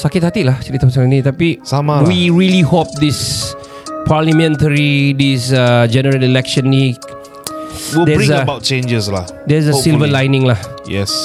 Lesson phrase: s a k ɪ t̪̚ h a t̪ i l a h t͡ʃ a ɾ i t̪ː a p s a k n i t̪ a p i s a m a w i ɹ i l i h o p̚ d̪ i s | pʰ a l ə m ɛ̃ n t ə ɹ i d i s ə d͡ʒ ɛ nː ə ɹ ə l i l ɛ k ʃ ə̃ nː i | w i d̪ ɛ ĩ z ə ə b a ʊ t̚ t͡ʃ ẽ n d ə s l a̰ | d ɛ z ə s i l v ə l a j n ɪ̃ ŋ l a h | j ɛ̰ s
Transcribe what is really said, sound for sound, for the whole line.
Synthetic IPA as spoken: s a k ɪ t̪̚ h a t̪ i l a h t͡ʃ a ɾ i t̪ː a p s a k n i t̪ a p i s a m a w i ɹ i l i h o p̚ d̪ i s | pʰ a l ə m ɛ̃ n t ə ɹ i d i s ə d͡ʒ ɛ n ə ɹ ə l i l ɛ k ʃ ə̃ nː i | w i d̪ ɛ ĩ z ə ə b a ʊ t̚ t͡ʃ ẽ n d͡ʒ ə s l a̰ | d ɛ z ə s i l v ə l a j n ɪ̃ ŋ l a h | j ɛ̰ s